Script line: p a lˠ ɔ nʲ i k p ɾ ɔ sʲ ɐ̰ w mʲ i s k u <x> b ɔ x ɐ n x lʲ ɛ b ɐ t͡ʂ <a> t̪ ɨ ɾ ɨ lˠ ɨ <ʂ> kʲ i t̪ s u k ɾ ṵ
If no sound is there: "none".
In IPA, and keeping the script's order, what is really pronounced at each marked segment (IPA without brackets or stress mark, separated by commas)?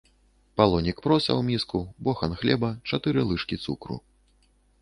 none, a, ʂ